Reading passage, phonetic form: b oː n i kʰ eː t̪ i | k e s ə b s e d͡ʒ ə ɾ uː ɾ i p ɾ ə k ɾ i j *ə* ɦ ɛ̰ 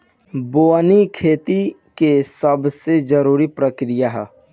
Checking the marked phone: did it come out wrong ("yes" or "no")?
yes